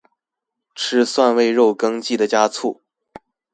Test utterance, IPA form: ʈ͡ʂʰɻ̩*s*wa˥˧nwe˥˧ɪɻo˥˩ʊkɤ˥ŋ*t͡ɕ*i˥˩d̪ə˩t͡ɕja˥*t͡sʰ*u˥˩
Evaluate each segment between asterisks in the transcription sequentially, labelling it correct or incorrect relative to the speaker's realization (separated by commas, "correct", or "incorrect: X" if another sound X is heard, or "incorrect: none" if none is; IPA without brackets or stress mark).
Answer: correct, correct, correct